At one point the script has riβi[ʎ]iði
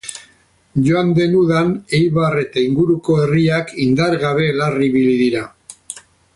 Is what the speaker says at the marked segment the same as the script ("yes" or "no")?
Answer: no